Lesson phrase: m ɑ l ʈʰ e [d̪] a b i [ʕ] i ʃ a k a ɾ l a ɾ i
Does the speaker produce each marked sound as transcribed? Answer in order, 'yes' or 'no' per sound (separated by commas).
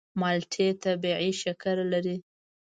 no, yes